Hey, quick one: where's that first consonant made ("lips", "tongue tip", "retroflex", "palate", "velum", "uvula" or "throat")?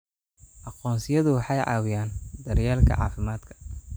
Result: throat